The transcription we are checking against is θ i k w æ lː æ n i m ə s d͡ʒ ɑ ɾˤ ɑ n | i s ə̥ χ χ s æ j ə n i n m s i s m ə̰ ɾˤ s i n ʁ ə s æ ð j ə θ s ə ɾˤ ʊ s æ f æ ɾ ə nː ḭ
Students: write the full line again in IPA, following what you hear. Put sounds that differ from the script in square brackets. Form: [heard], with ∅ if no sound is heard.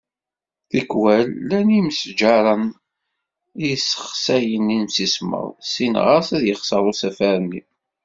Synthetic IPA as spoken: θ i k w æ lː æ n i m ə s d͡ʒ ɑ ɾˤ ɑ n | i s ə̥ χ χ s æ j ə n i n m s i s m ə̰ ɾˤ s i n ʁ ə s æ ð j ə [χ] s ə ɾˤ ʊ s æ f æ ɾ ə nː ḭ